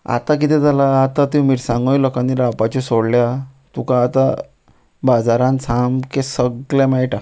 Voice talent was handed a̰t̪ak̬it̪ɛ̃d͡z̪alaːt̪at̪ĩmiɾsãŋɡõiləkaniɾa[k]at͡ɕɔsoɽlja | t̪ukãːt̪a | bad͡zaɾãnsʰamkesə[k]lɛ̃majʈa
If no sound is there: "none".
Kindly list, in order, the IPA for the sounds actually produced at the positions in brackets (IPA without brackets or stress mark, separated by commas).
p, ɡ